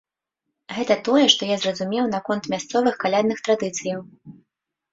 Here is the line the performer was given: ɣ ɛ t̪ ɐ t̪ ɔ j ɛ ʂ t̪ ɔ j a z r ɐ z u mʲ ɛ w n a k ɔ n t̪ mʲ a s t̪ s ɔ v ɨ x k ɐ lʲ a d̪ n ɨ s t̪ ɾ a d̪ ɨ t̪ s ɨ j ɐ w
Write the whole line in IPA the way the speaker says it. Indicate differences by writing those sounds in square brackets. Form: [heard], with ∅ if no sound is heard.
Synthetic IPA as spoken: ɣ ɛ t̪ ɐ t̪ ɔ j ɛ ʂ t̪ ɔ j a z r ɐ z u mʲ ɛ w n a k ɔ n t̪ mʲ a s t̪ s ɔ v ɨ x k [a] lʲ a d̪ n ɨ [x] t̪ ɾ a d̪ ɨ t̪ s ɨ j ɐ w